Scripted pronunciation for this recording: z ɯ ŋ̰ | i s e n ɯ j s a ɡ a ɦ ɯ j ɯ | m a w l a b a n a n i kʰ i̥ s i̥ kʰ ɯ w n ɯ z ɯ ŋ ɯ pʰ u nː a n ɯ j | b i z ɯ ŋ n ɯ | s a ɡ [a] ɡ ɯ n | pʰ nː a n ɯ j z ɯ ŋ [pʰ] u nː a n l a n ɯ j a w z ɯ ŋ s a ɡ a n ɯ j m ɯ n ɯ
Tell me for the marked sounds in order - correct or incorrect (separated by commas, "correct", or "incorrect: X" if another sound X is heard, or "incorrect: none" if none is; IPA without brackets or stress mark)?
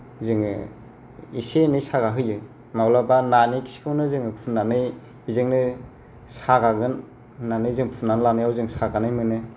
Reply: correct, correct